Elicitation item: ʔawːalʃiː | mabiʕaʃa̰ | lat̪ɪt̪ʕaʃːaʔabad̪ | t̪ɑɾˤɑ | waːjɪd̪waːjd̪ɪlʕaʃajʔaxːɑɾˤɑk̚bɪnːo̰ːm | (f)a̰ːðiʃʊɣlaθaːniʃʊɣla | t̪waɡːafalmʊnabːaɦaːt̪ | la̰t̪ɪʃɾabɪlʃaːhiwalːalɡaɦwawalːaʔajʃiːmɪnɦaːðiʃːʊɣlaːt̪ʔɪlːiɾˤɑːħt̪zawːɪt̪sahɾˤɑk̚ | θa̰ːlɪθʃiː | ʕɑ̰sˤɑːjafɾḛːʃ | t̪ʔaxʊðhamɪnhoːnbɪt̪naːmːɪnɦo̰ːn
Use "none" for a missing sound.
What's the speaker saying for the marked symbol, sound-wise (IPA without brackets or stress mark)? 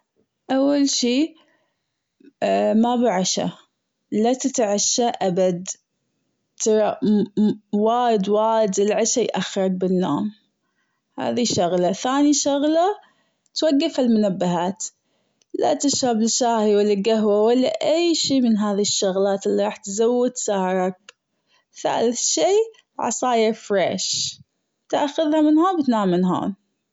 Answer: h